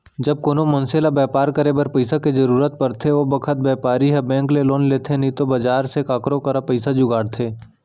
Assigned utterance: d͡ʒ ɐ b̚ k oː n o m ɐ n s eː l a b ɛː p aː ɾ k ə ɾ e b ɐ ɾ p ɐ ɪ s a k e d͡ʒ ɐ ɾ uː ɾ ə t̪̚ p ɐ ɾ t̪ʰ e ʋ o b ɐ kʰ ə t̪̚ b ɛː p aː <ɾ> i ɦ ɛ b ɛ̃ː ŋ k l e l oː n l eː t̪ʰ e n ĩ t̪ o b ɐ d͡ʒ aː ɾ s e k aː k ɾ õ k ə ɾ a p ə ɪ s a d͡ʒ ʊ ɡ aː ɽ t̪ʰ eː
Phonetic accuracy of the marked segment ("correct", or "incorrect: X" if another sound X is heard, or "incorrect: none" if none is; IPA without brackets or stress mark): correct